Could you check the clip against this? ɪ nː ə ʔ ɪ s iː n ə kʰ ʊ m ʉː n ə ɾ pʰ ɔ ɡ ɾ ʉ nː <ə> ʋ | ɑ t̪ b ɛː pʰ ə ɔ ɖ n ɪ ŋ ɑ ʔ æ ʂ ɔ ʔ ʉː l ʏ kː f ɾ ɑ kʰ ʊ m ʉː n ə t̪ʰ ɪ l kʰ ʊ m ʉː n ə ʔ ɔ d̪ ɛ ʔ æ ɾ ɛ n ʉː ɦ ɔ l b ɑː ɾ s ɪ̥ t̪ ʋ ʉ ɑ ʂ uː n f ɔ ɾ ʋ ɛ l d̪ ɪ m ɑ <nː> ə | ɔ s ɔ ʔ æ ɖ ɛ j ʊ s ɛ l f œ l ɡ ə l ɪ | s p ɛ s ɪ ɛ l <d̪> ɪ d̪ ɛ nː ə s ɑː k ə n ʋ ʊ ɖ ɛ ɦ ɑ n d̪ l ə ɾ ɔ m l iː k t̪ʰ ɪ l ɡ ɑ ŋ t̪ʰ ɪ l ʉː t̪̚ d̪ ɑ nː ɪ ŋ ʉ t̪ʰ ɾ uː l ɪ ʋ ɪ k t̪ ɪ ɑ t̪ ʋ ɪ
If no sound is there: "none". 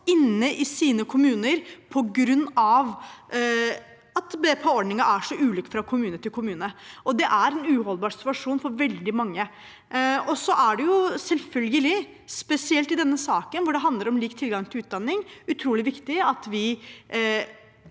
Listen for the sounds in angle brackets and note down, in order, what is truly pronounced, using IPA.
ɑ, ŋː, t̪

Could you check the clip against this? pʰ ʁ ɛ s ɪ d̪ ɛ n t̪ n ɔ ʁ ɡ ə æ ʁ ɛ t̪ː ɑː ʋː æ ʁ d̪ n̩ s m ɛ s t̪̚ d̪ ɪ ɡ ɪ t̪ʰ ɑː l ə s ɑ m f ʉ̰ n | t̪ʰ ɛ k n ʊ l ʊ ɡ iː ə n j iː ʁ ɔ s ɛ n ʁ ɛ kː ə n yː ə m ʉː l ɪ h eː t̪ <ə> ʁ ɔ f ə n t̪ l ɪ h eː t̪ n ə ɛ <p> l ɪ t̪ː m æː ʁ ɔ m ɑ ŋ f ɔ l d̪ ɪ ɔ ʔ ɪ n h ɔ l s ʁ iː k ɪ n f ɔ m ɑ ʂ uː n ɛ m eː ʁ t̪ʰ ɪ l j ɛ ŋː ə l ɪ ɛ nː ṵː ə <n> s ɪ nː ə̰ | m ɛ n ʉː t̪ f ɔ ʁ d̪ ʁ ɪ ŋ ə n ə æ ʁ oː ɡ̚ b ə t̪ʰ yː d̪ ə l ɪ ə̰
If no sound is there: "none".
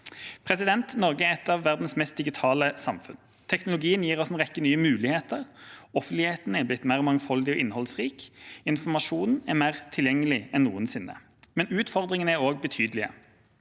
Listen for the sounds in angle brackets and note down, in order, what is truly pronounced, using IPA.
ə, b, n

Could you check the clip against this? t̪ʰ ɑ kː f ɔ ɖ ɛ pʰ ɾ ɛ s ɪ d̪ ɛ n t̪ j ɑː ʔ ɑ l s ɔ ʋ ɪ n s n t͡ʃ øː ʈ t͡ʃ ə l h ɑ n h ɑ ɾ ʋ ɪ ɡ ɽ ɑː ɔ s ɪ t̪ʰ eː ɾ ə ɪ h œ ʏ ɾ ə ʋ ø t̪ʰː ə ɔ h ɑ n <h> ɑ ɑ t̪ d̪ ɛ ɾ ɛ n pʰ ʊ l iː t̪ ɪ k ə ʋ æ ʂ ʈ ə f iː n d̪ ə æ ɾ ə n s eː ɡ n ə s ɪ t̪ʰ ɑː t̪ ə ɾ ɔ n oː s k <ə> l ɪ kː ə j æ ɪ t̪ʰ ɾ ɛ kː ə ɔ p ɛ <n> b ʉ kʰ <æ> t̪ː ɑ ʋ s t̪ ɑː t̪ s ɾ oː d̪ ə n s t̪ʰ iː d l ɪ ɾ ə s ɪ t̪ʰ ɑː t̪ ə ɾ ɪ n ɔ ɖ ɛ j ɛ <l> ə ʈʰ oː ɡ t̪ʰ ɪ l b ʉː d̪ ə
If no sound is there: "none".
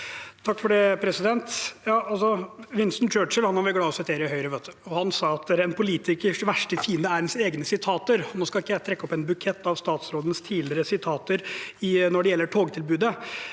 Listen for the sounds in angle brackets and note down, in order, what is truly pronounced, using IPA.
s, ɑ, n, ɛ, lː

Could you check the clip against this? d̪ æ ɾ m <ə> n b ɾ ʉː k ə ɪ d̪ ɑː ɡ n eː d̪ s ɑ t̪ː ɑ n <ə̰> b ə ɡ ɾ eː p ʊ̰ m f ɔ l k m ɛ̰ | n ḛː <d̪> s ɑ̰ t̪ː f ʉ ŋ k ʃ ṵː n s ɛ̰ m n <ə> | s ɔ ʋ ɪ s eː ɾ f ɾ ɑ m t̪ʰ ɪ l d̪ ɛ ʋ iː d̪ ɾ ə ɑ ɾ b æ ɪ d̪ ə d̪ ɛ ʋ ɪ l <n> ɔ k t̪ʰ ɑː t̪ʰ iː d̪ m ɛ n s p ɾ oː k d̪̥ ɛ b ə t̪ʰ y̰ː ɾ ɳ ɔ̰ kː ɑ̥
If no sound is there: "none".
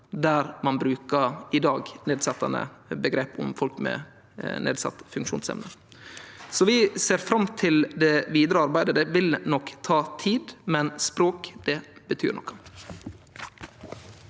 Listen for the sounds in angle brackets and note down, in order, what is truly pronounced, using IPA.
ɑ, ə̰, d̪, ə, n

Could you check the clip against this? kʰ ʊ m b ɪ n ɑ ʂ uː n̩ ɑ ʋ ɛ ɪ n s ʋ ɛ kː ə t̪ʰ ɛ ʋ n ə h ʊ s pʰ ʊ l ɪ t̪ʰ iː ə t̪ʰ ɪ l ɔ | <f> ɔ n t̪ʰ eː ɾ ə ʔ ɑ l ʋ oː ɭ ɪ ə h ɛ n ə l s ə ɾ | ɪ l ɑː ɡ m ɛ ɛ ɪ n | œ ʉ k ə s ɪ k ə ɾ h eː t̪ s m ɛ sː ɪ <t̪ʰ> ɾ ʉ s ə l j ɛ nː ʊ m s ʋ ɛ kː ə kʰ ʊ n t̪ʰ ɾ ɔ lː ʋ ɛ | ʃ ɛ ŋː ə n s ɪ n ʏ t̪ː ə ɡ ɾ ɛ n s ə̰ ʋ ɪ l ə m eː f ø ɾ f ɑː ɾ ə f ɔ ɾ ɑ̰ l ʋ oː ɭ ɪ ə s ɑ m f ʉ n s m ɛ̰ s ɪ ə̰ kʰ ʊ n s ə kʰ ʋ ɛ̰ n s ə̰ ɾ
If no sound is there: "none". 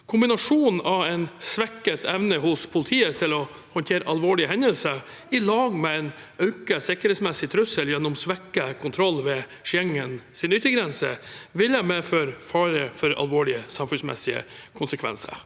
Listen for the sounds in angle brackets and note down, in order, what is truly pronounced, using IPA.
h, t̪ʰ

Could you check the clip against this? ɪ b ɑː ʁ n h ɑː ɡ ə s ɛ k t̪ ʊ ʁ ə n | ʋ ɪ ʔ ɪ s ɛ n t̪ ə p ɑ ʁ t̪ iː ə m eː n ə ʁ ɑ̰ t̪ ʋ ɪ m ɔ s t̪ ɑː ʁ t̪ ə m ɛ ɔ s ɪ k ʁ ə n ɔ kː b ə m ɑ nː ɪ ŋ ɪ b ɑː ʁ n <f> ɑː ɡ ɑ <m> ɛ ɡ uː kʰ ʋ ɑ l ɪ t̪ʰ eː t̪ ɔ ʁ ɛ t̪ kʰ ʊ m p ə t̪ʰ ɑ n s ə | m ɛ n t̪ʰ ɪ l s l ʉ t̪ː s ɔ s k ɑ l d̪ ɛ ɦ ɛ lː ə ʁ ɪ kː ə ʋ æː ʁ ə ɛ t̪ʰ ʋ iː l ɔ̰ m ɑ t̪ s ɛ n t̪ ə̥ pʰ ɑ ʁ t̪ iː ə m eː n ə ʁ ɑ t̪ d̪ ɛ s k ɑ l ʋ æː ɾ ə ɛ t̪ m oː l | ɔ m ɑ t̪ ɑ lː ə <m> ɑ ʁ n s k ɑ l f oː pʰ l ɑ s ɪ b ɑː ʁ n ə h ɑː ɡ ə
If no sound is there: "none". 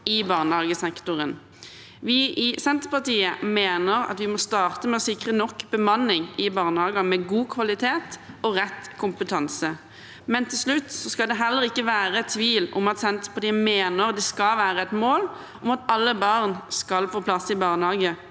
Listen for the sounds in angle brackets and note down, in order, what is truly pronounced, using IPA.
h, m, b

